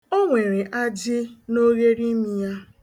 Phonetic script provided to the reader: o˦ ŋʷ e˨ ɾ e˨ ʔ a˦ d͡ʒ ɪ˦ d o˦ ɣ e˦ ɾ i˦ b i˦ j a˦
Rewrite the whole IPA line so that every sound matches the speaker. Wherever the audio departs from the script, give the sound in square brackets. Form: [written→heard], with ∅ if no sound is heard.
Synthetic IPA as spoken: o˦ ŋʷ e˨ ɾ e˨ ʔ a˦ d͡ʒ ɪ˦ [d→n] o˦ ɣ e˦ ɾ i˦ [b→m] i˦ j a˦